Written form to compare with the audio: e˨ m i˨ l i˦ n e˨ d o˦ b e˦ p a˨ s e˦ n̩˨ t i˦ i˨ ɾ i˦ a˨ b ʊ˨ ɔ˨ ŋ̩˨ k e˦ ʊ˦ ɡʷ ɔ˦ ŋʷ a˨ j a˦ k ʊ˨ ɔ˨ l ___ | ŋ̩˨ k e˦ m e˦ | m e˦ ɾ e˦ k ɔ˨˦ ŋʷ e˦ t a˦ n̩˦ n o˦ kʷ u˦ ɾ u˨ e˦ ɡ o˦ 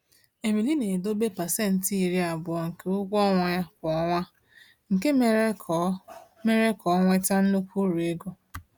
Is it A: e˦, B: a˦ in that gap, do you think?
B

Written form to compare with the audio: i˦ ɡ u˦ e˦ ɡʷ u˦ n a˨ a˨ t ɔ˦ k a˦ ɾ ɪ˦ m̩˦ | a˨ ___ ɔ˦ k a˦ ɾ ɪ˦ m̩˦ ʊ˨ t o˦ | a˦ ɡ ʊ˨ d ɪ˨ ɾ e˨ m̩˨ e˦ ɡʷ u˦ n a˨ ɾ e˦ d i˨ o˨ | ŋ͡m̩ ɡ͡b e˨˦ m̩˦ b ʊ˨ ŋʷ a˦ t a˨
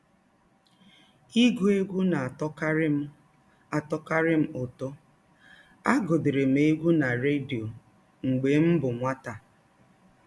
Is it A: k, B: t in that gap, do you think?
B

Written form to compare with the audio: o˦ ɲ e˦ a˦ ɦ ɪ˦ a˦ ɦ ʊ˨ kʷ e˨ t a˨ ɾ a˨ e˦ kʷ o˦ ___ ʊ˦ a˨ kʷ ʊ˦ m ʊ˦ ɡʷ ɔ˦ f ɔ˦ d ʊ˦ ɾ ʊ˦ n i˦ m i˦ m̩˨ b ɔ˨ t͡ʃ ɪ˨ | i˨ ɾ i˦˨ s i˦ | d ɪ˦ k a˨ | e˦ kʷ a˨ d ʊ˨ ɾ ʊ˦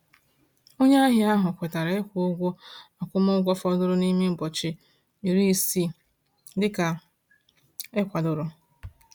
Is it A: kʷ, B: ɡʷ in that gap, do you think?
B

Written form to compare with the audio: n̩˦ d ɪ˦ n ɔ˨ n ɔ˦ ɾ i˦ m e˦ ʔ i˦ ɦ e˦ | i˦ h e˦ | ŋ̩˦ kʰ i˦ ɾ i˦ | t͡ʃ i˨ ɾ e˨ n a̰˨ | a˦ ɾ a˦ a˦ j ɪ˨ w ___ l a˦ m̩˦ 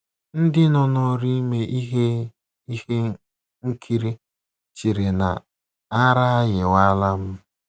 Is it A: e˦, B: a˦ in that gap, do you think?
B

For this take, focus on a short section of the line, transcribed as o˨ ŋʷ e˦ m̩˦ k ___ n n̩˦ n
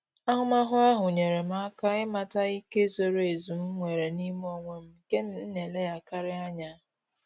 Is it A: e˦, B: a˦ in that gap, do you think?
A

